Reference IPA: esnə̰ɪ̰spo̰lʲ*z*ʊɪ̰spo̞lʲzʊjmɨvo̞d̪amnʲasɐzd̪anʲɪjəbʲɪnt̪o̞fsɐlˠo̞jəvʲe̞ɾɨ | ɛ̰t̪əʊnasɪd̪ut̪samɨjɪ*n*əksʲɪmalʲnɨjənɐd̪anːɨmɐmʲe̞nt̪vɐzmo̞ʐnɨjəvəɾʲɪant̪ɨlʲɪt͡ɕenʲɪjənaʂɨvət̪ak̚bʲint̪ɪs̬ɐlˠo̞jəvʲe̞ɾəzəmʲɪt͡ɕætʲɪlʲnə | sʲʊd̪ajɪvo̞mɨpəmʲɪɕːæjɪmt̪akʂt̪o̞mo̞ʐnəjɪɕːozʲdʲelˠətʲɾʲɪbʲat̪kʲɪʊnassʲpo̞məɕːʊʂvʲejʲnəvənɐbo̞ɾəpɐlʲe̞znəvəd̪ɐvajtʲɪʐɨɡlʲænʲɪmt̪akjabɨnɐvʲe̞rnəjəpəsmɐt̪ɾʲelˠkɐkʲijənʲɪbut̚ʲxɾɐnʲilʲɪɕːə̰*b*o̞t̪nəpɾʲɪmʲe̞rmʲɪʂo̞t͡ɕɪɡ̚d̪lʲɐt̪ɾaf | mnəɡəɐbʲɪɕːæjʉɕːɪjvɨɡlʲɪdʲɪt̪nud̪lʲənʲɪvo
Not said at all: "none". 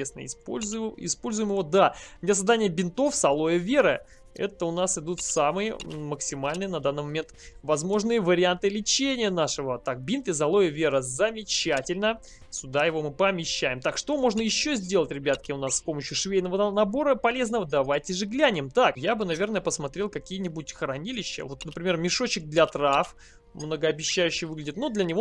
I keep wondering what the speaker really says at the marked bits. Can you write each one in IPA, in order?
z, m, v

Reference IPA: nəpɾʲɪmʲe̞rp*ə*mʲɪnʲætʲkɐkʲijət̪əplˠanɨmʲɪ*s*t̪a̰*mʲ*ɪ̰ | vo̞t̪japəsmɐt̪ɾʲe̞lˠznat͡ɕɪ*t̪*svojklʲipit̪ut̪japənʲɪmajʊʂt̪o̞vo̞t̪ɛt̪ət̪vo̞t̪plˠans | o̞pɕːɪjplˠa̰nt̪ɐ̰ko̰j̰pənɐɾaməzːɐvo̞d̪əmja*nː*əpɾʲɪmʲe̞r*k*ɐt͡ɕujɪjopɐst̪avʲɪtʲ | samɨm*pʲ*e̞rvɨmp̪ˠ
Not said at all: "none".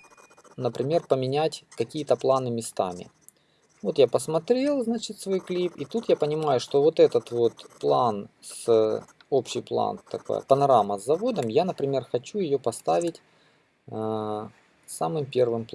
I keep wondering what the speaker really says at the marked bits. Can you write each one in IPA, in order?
ə, s, mʲ, t̪, n, x, pʲ

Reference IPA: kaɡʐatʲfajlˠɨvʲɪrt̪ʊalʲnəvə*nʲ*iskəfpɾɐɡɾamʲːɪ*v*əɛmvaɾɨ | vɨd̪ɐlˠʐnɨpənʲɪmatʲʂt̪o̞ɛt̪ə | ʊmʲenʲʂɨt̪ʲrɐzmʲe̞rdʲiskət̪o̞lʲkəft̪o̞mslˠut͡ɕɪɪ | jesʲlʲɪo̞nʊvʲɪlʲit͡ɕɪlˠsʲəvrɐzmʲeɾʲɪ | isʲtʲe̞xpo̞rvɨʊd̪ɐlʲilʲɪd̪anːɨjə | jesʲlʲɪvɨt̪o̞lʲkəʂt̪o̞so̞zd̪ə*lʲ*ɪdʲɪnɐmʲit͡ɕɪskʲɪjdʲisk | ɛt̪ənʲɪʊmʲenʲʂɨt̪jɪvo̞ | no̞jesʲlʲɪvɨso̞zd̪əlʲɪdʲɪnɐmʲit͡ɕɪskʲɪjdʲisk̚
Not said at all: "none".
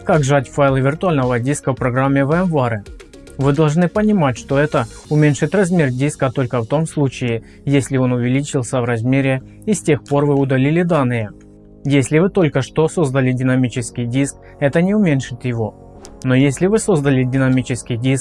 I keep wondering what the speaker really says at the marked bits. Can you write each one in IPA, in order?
dʲ, v, lʲ

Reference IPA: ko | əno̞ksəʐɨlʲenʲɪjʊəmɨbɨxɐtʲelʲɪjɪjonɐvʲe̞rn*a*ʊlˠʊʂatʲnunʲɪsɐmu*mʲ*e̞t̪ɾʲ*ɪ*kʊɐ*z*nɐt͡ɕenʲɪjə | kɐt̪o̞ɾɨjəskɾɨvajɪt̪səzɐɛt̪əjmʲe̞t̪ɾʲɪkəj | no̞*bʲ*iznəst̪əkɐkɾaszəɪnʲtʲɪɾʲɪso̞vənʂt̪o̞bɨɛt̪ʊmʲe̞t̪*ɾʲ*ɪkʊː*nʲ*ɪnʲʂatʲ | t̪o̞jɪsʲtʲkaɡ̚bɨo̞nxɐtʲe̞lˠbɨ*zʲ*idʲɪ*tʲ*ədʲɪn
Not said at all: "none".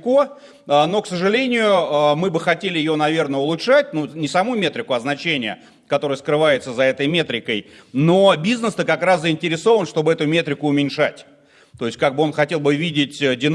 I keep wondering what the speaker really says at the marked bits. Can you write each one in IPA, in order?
ə, mʲ, ɪ, z, bʲ, ɾʲ, mʲ, vʲ, tʲ

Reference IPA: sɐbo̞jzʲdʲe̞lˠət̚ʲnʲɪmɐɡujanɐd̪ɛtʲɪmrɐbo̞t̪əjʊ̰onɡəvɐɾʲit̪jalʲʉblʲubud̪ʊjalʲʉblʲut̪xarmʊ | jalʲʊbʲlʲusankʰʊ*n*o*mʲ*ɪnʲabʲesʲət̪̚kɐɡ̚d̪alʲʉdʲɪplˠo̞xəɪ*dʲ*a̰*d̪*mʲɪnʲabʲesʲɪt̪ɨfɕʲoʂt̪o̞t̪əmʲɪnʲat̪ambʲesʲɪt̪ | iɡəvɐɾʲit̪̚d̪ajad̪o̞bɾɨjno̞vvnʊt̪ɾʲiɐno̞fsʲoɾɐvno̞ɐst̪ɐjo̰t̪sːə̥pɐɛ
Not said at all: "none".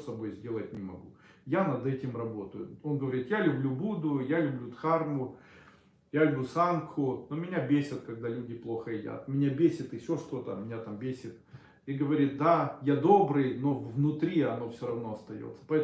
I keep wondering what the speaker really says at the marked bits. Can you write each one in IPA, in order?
n, mʲ, dʲ, t̪

